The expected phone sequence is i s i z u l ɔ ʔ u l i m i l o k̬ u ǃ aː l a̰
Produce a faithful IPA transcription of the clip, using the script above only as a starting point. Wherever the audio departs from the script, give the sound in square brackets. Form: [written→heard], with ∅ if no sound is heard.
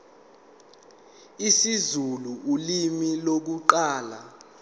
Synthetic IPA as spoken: i s i z u l [ɔ→u] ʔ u l i m i l o k̬ u ǃ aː l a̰